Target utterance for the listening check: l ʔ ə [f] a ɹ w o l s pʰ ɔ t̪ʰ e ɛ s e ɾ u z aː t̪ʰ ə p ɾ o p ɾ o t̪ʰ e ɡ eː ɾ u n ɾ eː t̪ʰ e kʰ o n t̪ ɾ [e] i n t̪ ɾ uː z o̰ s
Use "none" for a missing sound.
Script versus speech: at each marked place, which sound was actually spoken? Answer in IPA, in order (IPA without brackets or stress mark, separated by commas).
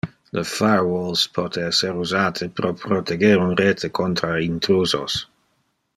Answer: f, a